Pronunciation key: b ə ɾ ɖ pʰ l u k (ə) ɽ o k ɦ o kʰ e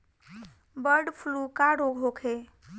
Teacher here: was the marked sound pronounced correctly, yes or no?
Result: no